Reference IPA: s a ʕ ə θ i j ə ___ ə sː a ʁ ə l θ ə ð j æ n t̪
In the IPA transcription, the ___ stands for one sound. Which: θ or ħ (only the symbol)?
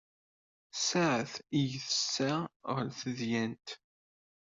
θ